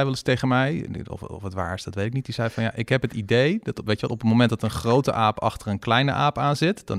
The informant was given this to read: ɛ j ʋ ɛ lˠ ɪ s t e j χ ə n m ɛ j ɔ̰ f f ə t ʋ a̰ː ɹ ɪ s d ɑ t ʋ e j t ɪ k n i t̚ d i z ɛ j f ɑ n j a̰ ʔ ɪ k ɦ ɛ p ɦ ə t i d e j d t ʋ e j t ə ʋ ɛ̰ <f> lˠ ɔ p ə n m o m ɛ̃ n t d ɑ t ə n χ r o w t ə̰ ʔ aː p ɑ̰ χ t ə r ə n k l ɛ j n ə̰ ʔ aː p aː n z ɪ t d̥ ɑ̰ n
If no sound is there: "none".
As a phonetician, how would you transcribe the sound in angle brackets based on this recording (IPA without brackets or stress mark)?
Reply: none